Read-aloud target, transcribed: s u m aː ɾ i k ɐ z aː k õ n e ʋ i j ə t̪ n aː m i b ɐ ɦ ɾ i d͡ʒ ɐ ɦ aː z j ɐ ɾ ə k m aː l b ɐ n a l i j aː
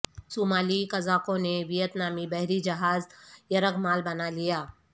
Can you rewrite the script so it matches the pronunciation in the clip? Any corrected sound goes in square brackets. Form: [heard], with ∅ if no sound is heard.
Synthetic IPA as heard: s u m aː [l] i k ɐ z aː k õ n e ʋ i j ə t̪ n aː m i b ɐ ɦ ɾ i d͡ʒ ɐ ɦ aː z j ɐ ɾ ə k m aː l b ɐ n a l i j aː

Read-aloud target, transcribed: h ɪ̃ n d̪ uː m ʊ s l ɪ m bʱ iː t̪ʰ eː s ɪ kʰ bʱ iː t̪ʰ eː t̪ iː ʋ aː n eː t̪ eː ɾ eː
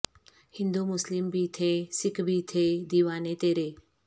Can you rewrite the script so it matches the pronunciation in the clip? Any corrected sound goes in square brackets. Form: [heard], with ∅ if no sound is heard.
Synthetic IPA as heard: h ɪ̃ n d̪ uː m ʊ s l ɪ m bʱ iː t̪ʰ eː s ɪ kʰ bʱ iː t̪ʰ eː [d̪] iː ʋ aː n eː t̪ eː ɾ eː

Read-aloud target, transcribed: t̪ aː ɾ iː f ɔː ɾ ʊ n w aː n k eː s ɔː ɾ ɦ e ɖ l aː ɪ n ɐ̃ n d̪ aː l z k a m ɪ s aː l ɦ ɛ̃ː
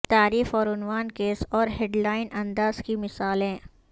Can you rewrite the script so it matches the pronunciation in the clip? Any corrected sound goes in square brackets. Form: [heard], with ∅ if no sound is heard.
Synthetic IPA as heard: t̪ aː ɾ iː f ɔː ɾ ʊ n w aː n k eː s ɔː ɾ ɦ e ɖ l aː ɪ n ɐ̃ n d̪ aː [∅] z k [i] m ɪ s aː l ɦ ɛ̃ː

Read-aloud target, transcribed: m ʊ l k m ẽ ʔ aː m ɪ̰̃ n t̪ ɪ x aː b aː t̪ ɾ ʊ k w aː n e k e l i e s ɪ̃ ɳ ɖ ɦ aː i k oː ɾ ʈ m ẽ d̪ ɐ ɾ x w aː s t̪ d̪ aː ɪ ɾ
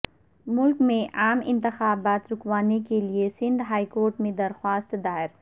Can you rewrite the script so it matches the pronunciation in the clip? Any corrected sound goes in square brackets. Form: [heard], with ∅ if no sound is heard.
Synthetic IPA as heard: m ʊ l k m ẽ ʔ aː m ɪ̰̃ n t̪ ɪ x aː b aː t̪ ɾ ʊ k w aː n e k e l i e s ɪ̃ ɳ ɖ ɦ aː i k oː ɾ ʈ m ẽ d̪ ɐ ɾ x w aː s t̪ d̪ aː ɪ ɾ

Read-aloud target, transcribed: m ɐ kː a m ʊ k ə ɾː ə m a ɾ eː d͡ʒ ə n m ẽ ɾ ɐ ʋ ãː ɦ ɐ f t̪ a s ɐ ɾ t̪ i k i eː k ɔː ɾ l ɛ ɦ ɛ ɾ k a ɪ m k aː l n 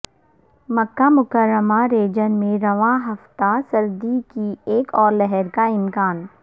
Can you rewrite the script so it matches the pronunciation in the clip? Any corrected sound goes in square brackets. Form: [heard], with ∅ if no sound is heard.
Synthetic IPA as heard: m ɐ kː a m ʊ k ə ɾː ə m a ɾ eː d͡ʒ ə n m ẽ ɾ ɐ ʋ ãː ɦ ɐ f t̪ a s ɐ ɾ [d̪] i k i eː k ɔː ɾ l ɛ ɦ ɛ ɾ k a ɪ m k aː [∅] n

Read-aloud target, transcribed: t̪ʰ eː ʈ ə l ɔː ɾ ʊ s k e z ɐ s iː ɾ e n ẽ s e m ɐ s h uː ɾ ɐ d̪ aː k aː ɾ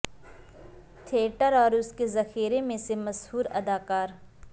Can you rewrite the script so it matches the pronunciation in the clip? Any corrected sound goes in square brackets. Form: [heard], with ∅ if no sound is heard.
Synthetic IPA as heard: t̪ʰ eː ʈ ə [ɾ] ɔː ɾ ʊ s k e z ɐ [x] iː ɾ e [m] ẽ s e m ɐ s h uː ɾ ɐ d̪ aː k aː ɾ

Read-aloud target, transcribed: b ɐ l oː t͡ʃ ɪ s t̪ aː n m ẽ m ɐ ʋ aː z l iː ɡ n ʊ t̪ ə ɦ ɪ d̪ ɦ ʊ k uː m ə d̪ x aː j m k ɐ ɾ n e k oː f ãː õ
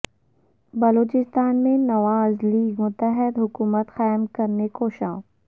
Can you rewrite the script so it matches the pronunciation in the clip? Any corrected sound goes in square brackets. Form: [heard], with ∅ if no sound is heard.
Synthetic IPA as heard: b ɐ l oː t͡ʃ ɪ s t̪ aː n m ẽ [n] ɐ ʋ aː z l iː ɡ [m] ʊ t̪ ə ɦ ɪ d̪ ɦ ʊ k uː m ə [t̪] x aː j m k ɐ ɾ n e k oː [ʃ] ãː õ

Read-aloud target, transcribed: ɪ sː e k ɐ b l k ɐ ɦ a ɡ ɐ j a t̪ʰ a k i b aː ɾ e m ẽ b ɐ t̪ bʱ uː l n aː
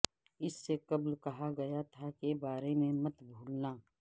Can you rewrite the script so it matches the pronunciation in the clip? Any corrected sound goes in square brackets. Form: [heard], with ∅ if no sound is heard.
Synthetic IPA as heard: ɪ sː e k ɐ b l k ɐ ɦ a ɡ ɐ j a t̪ʰ a k [e] b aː ɾ e m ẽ [m] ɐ t̪ bʱ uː l n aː

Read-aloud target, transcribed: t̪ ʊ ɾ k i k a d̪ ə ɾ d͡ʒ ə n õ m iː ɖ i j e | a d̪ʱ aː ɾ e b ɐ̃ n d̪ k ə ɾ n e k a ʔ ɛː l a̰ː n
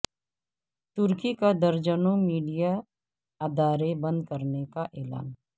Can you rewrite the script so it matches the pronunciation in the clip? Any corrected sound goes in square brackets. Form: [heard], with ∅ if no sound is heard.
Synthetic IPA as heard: t̪ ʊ ɾ k i k a d̪ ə ɾ d͡ʒ ə n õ m iː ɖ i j [a] | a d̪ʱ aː ɾ e b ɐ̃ n d̪ k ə ɾ n e k a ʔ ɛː l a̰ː n

